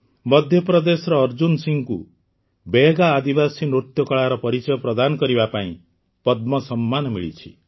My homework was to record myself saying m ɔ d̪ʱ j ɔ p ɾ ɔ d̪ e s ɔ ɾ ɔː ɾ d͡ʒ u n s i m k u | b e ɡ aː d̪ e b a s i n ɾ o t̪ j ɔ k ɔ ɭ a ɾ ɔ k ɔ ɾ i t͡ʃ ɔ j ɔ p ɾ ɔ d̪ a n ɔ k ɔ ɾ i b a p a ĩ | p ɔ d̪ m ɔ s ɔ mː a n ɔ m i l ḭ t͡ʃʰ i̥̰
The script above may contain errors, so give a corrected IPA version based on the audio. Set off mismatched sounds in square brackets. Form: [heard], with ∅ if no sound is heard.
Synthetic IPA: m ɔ d̪ʱ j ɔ p ɾ ɔ d̪ e s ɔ ɾ ɔː ɾ d͡ʒ u n s i [ŋ] k u | b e ɡ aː d̪ [i] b a s i n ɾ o t̪ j ɔ k ɔ ɭ a ɾ ɔ [p] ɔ ɾ i t͡ʃ ɔ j ɔ p ɾ ɔ d̪ a n ɔ k ɔ ɾ i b a p a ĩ | p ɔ d̪ m ɔ s ɔ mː a n ɔ m i [ɭ] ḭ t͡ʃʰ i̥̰

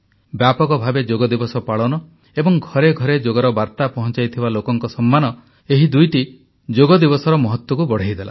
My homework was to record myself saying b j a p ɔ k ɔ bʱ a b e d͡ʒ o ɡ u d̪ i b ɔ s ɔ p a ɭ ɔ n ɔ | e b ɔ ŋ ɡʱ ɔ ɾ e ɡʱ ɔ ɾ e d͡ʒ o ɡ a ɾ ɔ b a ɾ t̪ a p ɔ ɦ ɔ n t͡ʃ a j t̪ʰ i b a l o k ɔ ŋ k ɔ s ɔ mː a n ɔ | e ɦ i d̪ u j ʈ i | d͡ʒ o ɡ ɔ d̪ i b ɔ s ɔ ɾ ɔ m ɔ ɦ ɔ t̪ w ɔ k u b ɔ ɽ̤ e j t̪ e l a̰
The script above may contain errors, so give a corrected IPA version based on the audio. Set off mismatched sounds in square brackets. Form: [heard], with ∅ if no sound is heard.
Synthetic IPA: b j a p ɔ k ɔ bʱ a b e d͡ʒ o ɡ [ɔ] d̪ i b ɔ s ɔ p a ɭ ɔ n ɔ | e b ɔ ŋ ɡʱ ɔ ɾ e ɡʱ ɔ ɾ e d͡ʒ o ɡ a ɾ ɔ b a ɾ t̪ a p ɔ ɦ ɔ n t͡ʃ a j t̪ʰ i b a l o k ɔ ŋ k ɔ s ɔ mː a n ɔ | e ɦ i d̪ u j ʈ i | d͡ʒ o ɡ ɔ d̪ i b ɔ s ɔ ɾ ɔ m ɔ ɦ ɔ t̪ w ɔ k u b ɔ ɽ̤ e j [d̪] e l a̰

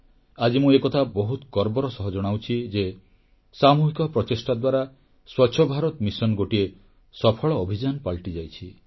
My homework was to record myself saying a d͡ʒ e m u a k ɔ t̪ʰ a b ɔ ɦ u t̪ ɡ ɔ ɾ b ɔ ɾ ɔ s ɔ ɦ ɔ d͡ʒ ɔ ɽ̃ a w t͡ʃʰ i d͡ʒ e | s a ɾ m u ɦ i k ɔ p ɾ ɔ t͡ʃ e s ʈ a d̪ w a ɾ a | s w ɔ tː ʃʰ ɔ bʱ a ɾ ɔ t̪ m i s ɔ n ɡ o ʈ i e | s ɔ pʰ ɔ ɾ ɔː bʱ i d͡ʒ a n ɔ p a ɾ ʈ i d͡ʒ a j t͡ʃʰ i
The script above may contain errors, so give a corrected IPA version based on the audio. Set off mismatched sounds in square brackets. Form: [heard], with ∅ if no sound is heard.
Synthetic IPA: a d͡ʒ [i] m u [e] k ɔ t̪ʰ a b ɔ ɦ u t̪ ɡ ɔ ɾ b ɔ ɾ ɔ s ɔ ɦ ɔ d͡ʒ ɔ ɽ̃ a w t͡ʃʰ i d͡ʒ e | s a [∅] m u ɦ i k ɔ p ɾ ɔ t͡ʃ e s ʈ a d̪ w a ɾ a | s w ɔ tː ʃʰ ɔ bʱ a ɾ ɔ t̪ m i s ɔ n ɡ o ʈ i e | s ɔ pʰ ɔ [ɭ] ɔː bʱ i d͡ʒ a n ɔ p a [ɭ] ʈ i d͡ʒ a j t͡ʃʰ i

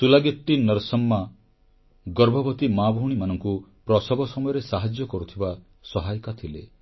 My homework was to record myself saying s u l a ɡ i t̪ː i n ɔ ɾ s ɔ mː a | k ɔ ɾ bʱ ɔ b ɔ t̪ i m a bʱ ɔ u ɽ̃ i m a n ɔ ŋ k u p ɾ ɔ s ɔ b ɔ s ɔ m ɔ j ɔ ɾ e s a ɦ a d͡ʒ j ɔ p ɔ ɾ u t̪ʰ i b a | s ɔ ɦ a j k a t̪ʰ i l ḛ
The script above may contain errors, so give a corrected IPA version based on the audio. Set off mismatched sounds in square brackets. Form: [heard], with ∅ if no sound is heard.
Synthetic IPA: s u l a ɡ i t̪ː i n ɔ ɾ s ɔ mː a | [ɡ] ɔ ɾ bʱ ɔ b ɔ t̪ i m a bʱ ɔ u ɽ̃ i m a n ɔ ŋ k u p ɾ ɔ s ɔ b ɔ s ɔ m ɔ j ɔ ɾ e s a ɦ a d͡ʒ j ɔ [k] ɔ ɾ u t̪ʰ i b a | s ɔ ɦ a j k a t̪ʰ i l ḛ

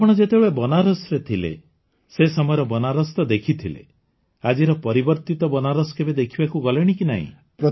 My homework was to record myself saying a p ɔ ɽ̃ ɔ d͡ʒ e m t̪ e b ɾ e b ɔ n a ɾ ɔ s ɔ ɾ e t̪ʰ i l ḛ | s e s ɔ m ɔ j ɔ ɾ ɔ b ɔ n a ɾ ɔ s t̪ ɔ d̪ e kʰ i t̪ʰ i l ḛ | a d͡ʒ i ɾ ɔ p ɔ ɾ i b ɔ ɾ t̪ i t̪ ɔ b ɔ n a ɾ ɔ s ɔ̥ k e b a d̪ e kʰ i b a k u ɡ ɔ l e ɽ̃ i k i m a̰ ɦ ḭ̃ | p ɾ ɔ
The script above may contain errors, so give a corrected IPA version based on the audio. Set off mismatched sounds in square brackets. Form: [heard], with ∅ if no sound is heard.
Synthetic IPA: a p ɔ ɽ̃ ɔ d͡ʒ e [∅] t̪ e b [ɭ] e b ɔ n a ɾ ɔ s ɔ ɾ e t̪ʰ i l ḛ | s e s ɔ m ɔ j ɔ ɾ ɔ b ɔ n a ɾ ɔ s t̪ ɔ d̪ e kʰ i t̪ʰ i l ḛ | a d͡ʒ i ɾ ɔ p ɔ ɾ i b ɔ ɾ t̪ i t̪ ɔ b ɔ n a ɾ ɔ s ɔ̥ k e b [e] d̪ e kʰ i b a k u ɡ ɔ l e ɽ̃ i k i [n] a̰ ɦ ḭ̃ | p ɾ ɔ

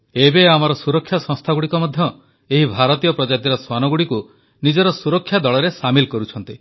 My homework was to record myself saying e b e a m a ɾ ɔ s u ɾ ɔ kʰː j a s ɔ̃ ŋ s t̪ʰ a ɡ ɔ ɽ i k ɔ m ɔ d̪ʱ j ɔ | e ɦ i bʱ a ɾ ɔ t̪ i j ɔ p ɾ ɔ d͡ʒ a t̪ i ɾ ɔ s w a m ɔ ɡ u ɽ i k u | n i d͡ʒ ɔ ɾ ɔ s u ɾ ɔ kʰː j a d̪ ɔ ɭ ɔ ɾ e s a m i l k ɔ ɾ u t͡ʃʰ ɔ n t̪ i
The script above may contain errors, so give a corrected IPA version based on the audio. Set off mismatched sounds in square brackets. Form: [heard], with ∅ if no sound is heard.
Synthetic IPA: e b e a m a ɾ ɔ s u ɾ ɔ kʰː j a s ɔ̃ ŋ s t̪ʰ a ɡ [u] ɽ i k ɔ m ɔ d̪ʱ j ɔ | e ɦ i bʱ a ɾ ɔ t̪ i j ɔ p ɾ ɔ d͡ʒ a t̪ i ɾ ɔ s w a [n] ɔ ɡ u ɽ i k u | n i d͡ʒ ɔ ɾ ɔ s u ɾ ɔ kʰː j a d̪ ɔ ɭ ɔ ɾ e s a m i l k ɔ ɾ u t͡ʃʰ ɔ n t̪ i

